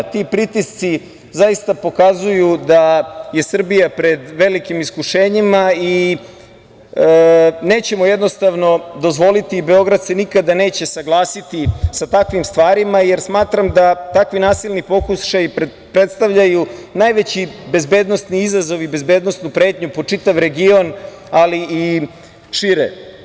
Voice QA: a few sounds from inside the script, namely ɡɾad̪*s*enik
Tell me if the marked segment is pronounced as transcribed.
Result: yes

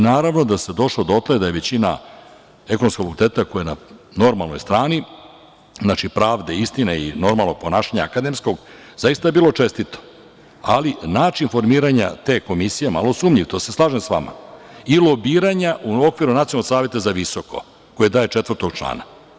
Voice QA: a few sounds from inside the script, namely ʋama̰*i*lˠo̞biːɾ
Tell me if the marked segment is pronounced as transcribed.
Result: yes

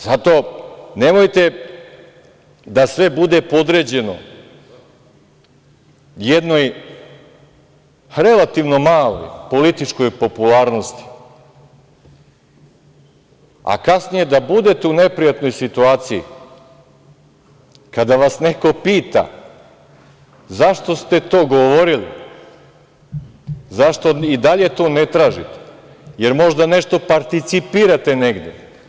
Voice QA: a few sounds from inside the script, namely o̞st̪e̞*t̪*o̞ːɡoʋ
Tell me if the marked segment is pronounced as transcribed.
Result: yes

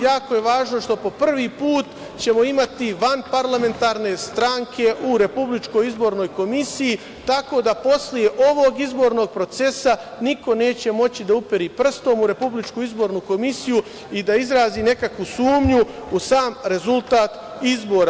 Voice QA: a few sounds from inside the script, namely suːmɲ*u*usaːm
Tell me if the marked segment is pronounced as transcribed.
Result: yes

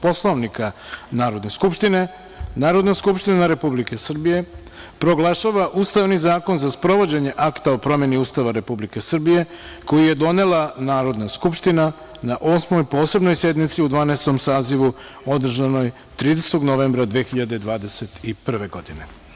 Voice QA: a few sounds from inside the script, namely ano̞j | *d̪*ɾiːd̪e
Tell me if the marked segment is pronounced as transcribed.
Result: no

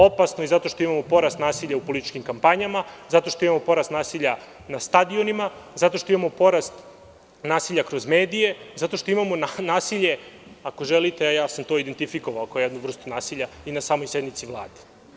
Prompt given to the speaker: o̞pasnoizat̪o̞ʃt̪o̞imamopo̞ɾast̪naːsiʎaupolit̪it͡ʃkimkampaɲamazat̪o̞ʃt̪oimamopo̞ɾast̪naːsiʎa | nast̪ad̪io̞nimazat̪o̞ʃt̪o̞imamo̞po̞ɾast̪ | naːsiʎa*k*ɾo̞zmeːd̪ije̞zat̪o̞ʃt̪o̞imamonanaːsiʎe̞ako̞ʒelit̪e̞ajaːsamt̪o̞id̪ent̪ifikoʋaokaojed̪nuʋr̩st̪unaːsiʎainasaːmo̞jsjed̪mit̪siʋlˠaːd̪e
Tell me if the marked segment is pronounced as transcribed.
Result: yes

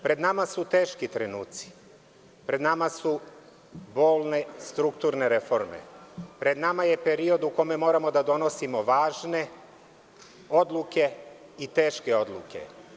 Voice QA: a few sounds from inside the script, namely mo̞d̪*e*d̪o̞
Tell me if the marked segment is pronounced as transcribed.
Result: no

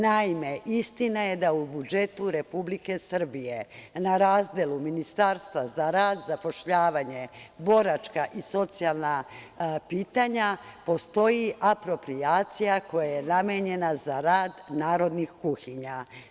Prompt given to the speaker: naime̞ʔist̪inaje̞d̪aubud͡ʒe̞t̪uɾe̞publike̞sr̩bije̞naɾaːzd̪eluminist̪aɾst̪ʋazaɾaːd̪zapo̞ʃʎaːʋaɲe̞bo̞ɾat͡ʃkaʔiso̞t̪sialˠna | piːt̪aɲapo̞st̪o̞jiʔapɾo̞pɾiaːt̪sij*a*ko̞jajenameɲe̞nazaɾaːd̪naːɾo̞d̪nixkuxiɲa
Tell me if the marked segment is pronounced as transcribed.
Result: yes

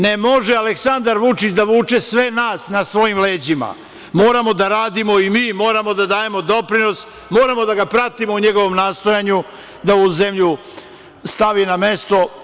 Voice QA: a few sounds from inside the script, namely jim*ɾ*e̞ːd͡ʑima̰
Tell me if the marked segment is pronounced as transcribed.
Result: no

